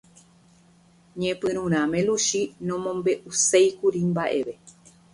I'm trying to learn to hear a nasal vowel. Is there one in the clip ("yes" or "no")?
yes